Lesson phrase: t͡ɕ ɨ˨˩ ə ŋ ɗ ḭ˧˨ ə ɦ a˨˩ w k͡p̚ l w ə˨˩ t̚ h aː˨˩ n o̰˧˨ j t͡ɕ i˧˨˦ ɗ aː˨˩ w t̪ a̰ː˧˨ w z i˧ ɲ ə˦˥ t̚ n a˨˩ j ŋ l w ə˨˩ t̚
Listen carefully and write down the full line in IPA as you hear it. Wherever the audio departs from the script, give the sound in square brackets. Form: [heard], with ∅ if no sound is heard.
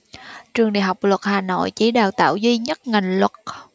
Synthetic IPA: t͡ɕ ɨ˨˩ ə ŋ ɗ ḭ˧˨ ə ɦ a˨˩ w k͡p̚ l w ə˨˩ t̚ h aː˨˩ n o̰˧˨ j t͡ɕ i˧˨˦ ɗ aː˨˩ w t̪ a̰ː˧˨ w z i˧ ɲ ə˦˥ t̚ [ŋ] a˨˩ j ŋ l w ə˨˩ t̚